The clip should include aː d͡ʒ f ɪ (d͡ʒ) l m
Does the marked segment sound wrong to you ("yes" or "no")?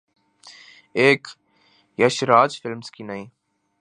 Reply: yes